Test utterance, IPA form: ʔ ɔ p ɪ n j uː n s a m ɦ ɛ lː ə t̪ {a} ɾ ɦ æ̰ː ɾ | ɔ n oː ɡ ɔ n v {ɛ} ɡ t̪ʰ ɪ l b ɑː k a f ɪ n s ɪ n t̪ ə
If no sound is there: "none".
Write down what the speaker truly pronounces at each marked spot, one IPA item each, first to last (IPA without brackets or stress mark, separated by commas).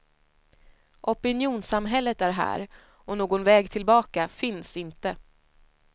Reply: æ, ɛː